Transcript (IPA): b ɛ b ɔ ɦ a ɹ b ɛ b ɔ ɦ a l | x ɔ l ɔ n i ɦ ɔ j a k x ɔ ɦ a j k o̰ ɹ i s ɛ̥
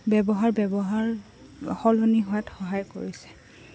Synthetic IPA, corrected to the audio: b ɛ b ɔ ɦ a ɹ b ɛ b ɔ ɦ a ɹ | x ɔ l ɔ n i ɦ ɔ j a t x ɔ ɦ a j k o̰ ɹ i s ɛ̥